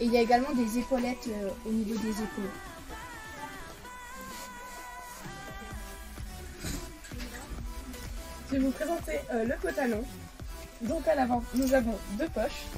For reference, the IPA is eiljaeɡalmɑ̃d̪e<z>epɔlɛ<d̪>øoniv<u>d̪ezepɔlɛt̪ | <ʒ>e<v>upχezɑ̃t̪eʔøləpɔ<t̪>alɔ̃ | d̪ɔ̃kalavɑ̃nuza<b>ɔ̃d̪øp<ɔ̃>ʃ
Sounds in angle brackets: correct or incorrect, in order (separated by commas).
correct, incorrect, incorrect, correct, correct, correct, incorrect, incorrect